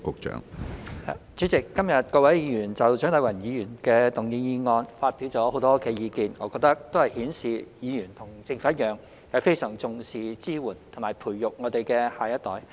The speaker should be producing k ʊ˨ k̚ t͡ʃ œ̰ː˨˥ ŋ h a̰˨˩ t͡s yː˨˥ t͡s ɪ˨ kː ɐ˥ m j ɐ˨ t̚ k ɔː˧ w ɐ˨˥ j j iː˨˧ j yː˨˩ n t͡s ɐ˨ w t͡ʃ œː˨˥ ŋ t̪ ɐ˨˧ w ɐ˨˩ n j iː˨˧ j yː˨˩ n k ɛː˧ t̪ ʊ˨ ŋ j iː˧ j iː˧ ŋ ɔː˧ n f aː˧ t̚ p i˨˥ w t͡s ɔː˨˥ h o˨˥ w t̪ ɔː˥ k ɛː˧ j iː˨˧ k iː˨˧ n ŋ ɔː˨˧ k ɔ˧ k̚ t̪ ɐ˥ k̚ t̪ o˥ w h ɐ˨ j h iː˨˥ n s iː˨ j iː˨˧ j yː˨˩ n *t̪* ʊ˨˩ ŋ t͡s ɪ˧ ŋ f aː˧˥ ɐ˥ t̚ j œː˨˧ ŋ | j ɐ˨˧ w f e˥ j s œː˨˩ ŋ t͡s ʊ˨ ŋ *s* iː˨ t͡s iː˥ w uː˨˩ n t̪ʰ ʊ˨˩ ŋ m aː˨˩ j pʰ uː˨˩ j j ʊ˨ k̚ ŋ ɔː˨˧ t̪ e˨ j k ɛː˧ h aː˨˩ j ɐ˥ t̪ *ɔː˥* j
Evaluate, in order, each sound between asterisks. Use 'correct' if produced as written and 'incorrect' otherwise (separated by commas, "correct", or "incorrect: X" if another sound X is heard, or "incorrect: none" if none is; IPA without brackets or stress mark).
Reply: incorrect: t̪ʰ, correct, incorrect: ɔː˨˥